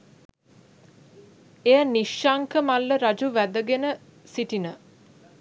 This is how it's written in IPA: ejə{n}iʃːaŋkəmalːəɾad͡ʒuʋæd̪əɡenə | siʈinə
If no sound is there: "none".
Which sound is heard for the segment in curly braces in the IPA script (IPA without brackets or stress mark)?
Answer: n